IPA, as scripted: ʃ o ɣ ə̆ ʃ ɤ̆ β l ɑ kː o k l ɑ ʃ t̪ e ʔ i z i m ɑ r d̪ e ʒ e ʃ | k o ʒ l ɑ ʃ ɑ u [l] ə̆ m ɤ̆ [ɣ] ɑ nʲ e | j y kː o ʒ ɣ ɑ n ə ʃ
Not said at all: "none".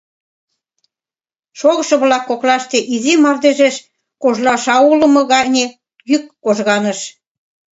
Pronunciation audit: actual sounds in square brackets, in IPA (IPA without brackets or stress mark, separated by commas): l, ɣ